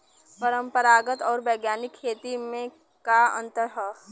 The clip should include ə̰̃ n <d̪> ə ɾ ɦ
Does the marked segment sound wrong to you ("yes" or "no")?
yes